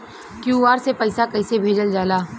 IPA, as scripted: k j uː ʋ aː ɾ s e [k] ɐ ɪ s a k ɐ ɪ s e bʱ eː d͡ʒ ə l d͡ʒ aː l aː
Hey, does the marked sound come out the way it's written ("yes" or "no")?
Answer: no